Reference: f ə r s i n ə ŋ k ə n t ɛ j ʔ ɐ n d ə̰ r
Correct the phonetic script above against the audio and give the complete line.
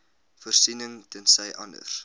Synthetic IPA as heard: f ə r s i n ə ŋ t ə n s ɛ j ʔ ɐ n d ə̰ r